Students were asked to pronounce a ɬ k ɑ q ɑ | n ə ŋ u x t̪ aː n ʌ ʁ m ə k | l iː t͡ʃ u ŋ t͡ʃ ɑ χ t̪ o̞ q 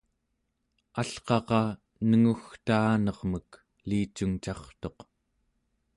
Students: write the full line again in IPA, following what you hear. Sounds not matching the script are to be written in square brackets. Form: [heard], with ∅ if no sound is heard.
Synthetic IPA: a ɬ [q] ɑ q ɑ | n ə ŋ u x t̪ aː n ʌ ʁ m ə k | l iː t͡ʃ u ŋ t͡ʃ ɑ χ t̪ o̞ q

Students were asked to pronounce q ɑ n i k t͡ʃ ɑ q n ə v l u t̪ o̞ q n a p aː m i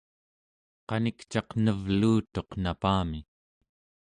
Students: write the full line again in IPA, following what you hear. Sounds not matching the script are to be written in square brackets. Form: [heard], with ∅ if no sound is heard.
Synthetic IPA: q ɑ n i k t͡ʃ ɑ q n ə v l [uː] t̪ o̞ q n a p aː m i

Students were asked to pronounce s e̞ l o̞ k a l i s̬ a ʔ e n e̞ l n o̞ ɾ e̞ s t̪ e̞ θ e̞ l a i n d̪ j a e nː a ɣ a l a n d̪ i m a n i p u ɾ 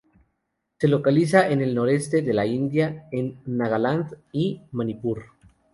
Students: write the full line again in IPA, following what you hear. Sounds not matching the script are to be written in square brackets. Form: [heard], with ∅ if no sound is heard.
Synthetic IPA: s e̞ l o̞ k a l i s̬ a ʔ e n e̞ l n o̞ ɾ e̞ s t̪ e̞ [ð] e̞ l a i n d̪ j a e nː a ɣ a l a n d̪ i m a n i p u ɾ

